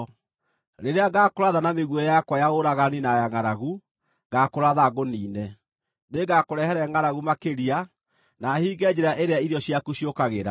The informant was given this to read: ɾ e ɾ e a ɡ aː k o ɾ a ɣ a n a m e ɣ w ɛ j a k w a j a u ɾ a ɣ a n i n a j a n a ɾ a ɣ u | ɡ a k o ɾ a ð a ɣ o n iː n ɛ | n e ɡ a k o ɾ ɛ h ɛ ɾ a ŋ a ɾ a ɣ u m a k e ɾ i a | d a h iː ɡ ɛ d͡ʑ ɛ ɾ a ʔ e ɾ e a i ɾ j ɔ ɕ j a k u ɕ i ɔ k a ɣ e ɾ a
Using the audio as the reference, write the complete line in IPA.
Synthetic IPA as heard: ɾ e ɾ e a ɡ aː k o ɾ a ð a n a m e ɣ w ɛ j a k w a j a o ɾ a ɣ a n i n a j a ŋ a ɾ a ɣ u | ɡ a k o ɾ a ð a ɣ o n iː n ɛ | n e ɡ a k o ɾ ɛ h ɛ ɾ ɛ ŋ a ɾ a ɣ u m a k e ɾ i a | n a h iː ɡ ɛ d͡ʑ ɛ ɾ a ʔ e ɾ e a i ɾ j ɔ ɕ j a k u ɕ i o k a ɣ e ɾ a